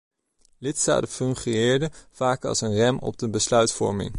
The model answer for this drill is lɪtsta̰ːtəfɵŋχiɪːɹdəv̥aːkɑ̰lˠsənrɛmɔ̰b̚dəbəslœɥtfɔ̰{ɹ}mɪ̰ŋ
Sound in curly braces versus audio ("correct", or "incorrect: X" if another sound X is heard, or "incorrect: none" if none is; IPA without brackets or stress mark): correct